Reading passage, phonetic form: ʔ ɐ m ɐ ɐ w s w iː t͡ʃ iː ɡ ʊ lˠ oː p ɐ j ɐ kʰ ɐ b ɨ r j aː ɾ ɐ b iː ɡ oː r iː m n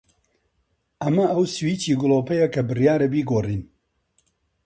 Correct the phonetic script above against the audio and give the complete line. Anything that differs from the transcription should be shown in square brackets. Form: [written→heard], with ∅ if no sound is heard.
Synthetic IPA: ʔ ɐ m ɐ ɐ w s w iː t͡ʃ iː ɡ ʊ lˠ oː p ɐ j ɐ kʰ ɐ b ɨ r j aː ɾ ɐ b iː ɡ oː r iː [m→∅] n